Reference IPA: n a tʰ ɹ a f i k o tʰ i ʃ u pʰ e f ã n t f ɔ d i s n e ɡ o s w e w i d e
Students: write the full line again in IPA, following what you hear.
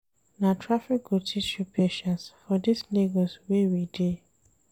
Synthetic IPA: n a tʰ ɹ a f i k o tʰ i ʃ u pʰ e ʃ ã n s f ɔ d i s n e ɡ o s w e w i d e